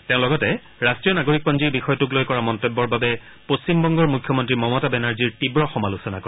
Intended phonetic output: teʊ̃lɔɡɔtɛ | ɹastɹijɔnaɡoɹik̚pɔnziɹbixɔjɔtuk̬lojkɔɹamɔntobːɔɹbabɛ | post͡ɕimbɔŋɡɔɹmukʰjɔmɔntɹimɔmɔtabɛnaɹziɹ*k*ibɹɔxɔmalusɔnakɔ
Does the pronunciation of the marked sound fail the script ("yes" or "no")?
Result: yes